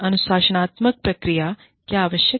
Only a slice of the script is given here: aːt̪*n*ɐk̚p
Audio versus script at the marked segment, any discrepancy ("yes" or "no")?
yes